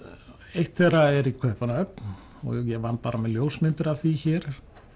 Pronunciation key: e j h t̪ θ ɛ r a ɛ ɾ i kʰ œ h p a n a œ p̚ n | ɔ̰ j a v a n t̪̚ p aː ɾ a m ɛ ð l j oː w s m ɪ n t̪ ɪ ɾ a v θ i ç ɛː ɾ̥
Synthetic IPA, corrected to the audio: e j h t̪ θ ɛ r a ɛ ɾ i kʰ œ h p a n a œ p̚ n | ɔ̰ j ɛ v a n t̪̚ p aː ɾ a m ɛ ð l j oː w s m ɪ n t̪ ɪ ɾ a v θ i ç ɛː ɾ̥